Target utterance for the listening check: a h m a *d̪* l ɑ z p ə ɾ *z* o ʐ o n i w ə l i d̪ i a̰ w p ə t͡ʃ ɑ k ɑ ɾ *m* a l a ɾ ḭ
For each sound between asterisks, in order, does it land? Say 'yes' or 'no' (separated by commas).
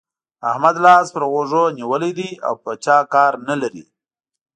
yes, no, no